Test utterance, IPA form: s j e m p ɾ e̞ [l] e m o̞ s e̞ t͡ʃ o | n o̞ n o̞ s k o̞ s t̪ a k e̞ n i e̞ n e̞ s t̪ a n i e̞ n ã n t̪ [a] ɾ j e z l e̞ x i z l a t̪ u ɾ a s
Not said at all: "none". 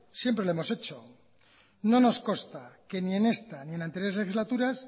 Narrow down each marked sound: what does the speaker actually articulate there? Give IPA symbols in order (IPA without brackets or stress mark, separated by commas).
l, e